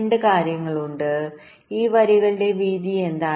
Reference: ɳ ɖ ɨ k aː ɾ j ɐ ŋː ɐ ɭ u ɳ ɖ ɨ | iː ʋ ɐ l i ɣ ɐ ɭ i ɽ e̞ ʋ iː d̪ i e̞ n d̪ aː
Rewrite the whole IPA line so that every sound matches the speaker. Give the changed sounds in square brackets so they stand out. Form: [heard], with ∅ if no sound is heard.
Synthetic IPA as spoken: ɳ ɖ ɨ k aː ɾ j ɐ ŋː ɐ ɭ u ɳ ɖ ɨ | iː ʋ ɐ [ɾ] i ɣ ɐ ɭ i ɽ e̞ ʋ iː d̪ i e̞ n d̪ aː